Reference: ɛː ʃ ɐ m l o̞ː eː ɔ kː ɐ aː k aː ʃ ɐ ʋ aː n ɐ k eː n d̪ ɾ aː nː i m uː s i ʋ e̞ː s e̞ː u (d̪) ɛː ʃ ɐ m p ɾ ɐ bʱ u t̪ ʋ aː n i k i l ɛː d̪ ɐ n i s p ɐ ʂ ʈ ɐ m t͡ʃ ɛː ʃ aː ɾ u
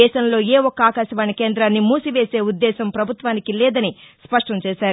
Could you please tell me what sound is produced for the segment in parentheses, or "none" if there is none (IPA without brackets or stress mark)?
d̪ː